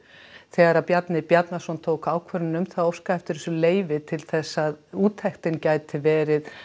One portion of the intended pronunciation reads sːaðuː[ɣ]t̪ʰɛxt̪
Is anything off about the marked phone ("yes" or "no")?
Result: yes